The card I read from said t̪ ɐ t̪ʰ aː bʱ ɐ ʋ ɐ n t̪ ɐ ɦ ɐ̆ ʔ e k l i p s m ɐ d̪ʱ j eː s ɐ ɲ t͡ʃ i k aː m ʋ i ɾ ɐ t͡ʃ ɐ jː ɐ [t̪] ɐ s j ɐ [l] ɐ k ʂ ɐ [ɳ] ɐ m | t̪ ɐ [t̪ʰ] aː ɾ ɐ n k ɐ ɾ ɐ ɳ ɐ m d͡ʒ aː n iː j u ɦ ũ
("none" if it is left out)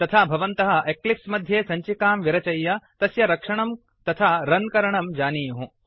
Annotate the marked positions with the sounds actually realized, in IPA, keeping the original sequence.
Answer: t̪, ɾ, ɳ, t̪ʰ

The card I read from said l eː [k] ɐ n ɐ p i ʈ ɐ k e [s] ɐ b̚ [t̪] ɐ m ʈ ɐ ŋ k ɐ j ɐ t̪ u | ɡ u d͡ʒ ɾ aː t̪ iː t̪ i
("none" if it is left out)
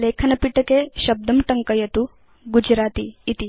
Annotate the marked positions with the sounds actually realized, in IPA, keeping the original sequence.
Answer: kʰ, ʃ, d̪

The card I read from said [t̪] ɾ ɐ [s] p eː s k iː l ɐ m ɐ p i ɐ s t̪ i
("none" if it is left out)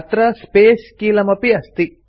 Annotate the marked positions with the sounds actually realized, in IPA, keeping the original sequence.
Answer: t̪, s

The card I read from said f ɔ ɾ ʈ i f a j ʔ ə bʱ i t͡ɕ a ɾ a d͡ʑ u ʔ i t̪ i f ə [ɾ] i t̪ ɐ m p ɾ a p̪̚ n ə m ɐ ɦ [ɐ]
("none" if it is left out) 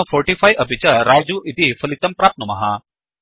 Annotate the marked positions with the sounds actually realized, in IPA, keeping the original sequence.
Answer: l, a

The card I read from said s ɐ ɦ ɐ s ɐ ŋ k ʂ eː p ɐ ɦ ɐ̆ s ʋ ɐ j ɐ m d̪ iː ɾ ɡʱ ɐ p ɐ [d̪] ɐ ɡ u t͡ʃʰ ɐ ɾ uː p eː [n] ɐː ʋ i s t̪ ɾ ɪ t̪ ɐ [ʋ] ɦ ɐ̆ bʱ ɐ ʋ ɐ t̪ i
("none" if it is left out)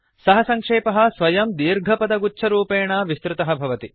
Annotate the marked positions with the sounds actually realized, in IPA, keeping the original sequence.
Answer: d̪, ɳ, none

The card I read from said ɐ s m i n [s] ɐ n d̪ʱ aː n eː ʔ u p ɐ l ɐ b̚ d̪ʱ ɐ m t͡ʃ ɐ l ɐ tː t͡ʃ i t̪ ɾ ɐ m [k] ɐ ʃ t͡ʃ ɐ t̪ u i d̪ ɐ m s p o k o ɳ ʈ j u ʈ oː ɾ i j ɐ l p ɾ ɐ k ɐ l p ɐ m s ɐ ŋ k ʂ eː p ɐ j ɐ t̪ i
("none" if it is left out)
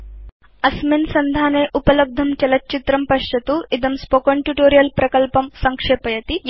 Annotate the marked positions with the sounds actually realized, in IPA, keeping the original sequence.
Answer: s, p

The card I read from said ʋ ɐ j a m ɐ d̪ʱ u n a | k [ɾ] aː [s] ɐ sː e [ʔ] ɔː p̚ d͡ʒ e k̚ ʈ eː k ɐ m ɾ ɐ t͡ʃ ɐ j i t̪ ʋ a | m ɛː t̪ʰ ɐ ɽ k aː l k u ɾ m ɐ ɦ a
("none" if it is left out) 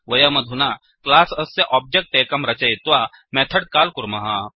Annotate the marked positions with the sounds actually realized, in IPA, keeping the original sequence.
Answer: l, s, ʔ

